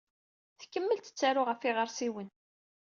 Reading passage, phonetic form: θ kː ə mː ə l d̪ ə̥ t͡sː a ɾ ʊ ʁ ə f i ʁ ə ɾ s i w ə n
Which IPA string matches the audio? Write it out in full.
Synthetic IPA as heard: θ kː ə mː ə l t̪ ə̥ t͡sː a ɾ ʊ ʁ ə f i ʁ ə ɾ s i w ə n